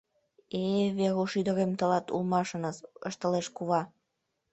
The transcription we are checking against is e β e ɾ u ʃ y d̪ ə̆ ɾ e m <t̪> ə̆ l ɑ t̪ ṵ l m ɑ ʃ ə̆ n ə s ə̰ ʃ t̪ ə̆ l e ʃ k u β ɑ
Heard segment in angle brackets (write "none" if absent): t̪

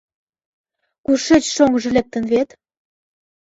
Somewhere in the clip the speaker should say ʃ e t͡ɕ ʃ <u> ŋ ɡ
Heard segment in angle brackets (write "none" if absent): o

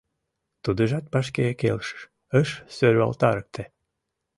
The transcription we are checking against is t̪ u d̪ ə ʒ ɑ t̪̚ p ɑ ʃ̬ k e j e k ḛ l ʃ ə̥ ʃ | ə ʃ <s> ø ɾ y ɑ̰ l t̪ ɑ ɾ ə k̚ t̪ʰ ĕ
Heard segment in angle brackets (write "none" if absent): s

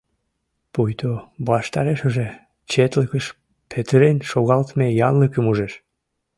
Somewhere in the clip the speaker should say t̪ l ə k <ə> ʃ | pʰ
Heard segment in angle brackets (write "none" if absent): ə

